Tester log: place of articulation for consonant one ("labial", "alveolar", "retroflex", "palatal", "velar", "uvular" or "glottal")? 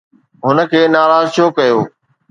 glottal